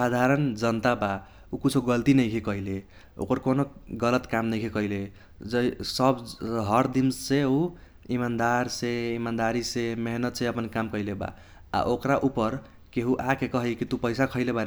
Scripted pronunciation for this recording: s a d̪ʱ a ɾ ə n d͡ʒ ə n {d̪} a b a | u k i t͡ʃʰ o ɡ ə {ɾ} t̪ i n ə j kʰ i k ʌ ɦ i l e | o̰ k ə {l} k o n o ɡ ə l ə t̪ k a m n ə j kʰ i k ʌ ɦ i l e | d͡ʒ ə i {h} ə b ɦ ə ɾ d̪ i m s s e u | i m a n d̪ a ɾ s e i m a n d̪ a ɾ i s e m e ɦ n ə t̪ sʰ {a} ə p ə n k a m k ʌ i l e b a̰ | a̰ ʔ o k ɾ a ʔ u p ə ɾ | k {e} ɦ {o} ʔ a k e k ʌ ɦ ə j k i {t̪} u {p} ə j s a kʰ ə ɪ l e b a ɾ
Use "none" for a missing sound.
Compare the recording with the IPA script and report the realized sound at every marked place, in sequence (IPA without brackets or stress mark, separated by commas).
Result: t̪, l, ɾ, s, e, e, u, t̪, p